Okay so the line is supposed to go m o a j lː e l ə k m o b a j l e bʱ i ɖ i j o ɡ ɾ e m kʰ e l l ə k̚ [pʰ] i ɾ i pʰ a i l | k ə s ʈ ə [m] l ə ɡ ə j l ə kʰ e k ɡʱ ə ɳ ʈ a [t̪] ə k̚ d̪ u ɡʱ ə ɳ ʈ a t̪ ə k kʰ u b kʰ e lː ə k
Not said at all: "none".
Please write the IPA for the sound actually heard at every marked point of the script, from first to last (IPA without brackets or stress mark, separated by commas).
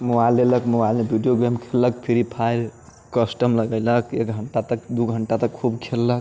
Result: pʰ, m, t̪